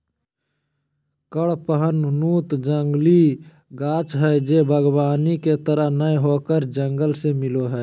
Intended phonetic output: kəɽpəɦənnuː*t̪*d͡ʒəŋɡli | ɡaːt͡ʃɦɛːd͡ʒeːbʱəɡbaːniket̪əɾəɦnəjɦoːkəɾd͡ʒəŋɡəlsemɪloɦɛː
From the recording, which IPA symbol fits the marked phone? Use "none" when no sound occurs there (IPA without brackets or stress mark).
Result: t̪